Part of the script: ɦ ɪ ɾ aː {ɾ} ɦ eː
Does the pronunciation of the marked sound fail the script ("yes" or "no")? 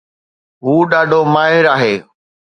yes